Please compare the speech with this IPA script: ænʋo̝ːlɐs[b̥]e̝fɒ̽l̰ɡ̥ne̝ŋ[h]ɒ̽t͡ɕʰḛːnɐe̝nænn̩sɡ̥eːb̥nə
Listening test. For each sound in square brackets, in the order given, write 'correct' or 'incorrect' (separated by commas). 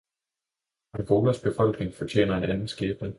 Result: correct, incorrect